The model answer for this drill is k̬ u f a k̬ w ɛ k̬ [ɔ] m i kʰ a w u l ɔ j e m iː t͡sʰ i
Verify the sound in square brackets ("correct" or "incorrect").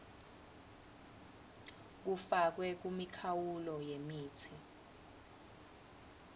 incorrect